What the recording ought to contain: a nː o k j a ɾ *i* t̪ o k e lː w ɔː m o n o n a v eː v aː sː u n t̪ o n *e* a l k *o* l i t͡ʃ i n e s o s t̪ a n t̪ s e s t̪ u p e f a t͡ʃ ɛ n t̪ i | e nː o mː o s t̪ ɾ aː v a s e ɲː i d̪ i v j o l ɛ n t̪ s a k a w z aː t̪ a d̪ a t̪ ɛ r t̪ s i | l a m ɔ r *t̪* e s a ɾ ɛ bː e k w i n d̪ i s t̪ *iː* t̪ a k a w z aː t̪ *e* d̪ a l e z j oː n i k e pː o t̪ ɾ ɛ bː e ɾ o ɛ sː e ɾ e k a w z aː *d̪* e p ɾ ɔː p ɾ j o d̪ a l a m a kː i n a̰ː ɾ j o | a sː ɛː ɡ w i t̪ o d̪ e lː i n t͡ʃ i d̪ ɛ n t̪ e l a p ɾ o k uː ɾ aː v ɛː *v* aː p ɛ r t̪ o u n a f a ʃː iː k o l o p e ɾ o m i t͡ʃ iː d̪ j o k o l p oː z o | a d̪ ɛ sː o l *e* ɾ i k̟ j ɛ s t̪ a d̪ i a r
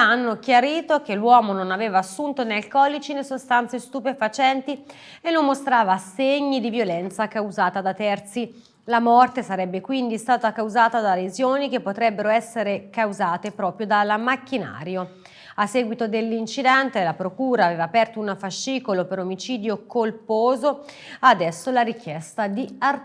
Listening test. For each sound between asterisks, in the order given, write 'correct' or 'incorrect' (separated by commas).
incorrect, correct, incorrect, correct, incorrect, incorrect, incorrect, correct, incorrect